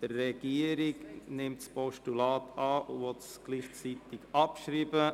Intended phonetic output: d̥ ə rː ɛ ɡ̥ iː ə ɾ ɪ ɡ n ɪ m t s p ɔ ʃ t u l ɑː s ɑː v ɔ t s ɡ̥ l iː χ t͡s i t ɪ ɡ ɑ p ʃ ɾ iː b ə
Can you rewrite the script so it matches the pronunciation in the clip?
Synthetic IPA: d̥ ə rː ɛ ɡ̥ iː ə ɾ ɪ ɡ n ɪ m t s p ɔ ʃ t u l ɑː t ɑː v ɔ t s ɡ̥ l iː χ t͡s i t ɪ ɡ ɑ p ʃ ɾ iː b ə